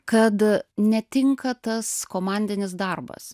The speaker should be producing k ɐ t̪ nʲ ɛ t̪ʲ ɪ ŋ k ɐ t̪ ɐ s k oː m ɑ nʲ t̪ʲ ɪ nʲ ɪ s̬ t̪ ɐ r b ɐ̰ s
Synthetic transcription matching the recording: k ɐ t̪ nʲ ɛ t̪ʲ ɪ ŋ k ɐ t̪ ɐ s k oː m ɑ nʲ d̪ʲ ɪ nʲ ɪ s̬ d̪ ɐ r b ɐ̰ s